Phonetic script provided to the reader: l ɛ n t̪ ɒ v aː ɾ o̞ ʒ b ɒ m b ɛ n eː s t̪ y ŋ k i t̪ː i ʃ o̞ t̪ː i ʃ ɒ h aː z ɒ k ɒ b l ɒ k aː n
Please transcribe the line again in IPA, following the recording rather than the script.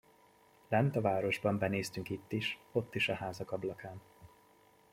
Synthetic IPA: l ɛ n t̪ ɒ v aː ɾ o̞ ʒ b ɒ m b ɛ n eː s t̪ y ŋ k i t̪ː i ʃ o̞ t̪ː i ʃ ɒ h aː z ɒ k ɒ b l ɒ k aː n